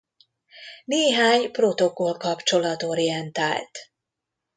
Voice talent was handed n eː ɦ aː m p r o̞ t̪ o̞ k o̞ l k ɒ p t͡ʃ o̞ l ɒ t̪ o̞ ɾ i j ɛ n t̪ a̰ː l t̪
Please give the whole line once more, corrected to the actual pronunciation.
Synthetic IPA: n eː ɦ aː ɲ p r o̞ t̪ o̞ k o̞ l k ɒ p t͡ʃ o̞ l ɒ t̪ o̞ ɾ i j ɛ n t̪ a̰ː l t̪